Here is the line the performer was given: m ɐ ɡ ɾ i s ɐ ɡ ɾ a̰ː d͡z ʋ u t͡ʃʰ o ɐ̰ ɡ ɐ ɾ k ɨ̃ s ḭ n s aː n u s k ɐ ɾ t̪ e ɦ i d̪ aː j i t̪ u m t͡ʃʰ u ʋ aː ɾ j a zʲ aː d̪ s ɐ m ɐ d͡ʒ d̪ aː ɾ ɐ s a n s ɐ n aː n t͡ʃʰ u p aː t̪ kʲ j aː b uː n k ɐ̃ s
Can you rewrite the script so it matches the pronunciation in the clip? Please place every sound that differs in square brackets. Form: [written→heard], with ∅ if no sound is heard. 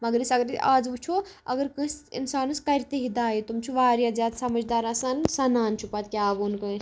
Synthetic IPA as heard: m ɐ ɡ ɾ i s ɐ ɡ ɾ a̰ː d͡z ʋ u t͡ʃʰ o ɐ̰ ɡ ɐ ɾ k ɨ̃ s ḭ n s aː n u s k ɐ ɾ t̪ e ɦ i d̪ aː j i t̪ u m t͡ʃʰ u ʋ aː ɾ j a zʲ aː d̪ s ɐ m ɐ d͡ʒ d̪ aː ɾ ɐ s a n s ɐ n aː n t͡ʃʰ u p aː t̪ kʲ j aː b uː n k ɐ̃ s